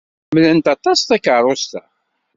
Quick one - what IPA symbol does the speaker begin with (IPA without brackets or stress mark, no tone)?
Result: m